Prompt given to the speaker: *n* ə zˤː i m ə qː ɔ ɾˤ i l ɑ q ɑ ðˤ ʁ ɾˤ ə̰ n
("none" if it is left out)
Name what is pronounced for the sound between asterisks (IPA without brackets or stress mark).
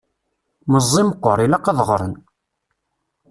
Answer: m